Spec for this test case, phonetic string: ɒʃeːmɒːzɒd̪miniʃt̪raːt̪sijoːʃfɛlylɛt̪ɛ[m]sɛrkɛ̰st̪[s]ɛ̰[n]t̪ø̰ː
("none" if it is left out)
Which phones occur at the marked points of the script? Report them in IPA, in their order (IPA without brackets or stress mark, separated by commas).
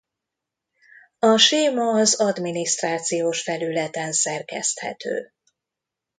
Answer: n, h, none